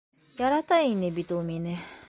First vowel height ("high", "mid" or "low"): low